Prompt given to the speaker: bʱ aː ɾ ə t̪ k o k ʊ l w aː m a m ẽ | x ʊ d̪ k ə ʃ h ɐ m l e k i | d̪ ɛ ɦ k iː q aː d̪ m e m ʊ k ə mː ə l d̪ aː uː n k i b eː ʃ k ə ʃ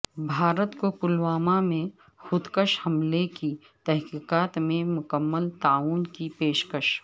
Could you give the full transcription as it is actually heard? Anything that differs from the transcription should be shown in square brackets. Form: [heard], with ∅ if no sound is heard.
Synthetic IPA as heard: bʱ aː ɾ ə t̪ k o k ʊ l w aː m a m ẽ | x ʊ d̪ k ə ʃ h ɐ m l e k i | [t̪] ɛ ɦ k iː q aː [t̪] m [ẽ] m ʊ k ə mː ə l [t̪] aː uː n k i [p] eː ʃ k ə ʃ

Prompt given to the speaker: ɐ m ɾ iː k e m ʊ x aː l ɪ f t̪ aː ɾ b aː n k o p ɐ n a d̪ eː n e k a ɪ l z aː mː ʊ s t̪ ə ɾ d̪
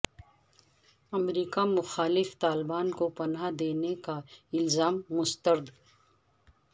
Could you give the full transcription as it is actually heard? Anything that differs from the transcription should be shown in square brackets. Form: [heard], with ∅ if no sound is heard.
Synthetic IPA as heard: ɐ m ɾ iː k [a] m ʊ x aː l ɪ f t̪ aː [l] b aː n k o p ɐ n a d̪ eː n e k a ɪ l z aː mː ʊ s t̪ ə ɾ d̪

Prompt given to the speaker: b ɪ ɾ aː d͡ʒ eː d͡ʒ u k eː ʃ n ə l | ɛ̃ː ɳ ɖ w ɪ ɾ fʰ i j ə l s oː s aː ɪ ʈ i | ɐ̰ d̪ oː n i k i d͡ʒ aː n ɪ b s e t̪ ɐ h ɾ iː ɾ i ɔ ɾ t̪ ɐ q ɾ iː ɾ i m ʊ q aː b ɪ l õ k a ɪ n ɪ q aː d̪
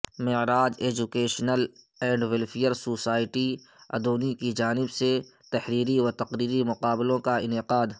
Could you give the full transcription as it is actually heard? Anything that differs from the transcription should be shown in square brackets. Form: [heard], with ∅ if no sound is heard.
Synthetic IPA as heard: [m] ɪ ɾ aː d͡ʒ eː d͡ʒ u k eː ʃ n ə l | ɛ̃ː ɳ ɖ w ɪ [l] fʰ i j ə [ɾ] s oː s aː ɪ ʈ i | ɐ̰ d̪ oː n i k i d͡ʒ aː n ɪ b s e t̪ ɐ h ɾ iː ɾ i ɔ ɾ t̪ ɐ q ɾ iː ɾ i m ʊ q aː b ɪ l õ k a ɪ n ɪ q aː d̪

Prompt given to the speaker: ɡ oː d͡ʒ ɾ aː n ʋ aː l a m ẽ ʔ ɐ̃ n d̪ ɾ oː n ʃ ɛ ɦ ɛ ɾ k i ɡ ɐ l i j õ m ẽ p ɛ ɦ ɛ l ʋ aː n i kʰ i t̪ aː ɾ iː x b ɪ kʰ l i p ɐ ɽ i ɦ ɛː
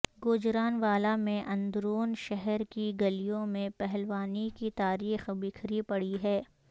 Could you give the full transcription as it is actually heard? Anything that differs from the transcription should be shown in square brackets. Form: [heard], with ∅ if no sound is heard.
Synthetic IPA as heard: ɡ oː d͡ʒ ɾ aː n ʋ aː l a m ẽ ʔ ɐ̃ n d̪ ɾ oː n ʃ ɛ ɦ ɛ ɾ k i ɡ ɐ l i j õ m ẽ p ɛ ɦ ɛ l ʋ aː n i [k] i t̪ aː ɾ iː x b ɪ kʰ [ɾ] i p ɐ ɽ i ɦ ɛː

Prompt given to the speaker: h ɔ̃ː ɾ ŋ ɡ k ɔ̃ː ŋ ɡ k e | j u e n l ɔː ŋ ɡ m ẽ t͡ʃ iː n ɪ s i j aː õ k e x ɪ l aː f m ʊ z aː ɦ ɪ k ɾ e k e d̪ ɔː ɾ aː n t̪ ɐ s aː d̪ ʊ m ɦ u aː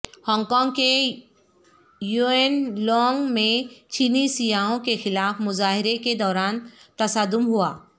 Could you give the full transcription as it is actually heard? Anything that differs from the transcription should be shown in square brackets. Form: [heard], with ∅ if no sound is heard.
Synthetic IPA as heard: h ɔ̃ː [∅] ŋ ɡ k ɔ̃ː ŋ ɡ k e | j u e n l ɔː ŋ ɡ m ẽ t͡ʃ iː n [i] s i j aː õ k e x ɪ l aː f m ʊ z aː ɦ ɪ [∅] ɾ e k e d̪ ɔː ɾ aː n t̪ ɐ s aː d̪ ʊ m ɦ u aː

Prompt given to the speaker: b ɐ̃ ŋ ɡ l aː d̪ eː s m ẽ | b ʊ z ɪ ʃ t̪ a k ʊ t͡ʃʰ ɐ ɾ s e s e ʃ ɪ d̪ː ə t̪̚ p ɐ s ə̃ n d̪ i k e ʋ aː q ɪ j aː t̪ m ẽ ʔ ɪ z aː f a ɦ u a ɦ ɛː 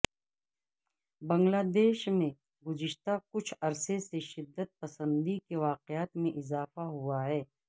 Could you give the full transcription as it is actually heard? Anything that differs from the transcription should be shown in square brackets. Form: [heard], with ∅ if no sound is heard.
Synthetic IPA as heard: b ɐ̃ ŋ ɡ l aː d̪ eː [ʃ] m ẽ | [ɡ] ʊ z ɪ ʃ t̪ a k ʊ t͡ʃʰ ɐ ɾ s e s e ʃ ɪ d̪ː ə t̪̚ p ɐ s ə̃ n d̪ i k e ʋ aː q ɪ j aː t̪ m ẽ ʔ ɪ z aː f a ɦ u a ɦ ɛː

